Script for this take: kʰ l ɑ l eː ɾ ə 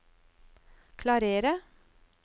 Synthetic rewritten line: kʰ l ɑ ɾ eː ɾ ə